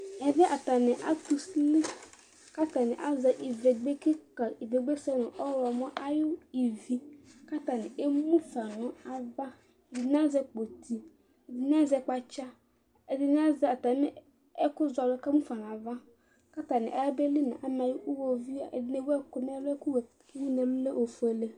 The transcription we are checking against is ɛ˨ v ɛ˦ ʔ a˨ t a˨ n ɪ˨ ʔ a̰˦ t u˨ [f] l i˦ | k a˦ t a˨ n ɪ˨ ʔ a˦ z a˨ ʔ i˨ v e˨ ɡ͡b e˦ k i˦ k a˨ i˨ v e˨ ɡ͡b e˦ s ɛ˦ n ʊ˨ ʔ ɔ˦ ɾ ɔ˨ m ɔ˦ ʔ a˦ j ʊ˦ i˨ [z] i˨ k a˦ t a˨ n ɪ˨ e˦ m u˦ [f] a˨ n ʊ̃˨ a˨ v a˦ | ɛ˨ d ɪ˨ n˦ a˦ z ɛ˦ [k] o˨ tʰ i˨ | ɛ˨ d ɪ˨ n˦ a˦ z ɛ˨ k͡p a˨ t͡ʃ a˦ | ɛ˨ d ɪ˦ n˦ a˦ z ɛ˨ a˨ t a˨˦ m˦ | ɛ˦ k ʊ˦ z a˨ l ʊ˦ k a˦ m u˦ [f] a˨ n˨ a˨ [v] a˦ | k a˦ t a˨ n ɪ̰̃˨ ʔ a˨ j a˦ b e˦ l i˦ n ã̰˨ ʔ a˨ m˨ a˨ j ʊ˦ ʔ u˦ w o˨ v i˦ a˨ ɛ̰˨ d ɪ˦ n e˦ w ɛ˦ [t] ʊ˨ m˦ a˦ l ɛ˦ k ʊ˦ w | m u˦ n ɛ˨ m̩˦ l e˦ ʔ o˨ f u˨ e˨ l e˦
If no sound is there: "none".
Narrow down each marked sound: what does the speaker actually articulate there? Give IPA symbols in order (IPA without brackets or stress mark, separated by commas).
s, v, f, k͡p, f, v, k